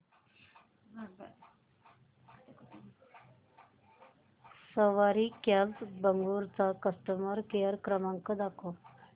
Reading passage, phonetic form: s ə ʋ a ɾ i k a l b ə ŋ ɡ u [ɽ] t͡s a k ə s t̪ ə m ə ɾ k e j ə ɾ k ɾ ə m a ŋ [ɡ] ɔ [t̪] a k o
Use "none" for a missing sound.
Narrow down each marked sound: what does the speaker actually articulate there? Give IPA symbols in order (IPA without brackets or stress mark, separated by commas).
ɾ, k, d̪